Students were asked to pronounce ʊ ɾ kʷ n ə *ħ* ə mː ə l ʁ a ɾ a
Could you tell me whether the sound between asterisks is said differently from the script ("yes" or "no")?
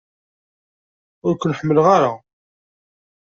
no